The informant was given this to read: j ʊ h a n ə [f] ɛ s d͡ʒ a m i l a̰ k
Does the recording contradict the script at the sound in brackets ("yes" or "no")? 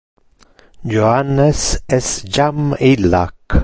yes